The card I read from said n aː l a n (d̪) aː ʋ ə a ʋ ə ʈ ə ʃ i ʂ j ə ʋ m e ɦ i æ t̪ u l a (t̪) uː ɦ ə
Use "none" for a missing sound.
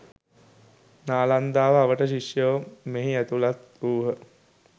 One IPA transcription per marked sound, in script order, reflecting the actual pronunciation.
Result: d̪, t̪

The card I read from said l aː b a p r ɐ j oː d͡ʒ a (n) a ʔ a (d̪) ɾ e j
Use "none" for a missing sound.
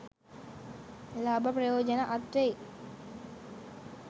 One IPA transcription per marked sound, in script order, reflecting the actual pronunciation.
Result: n, t̪

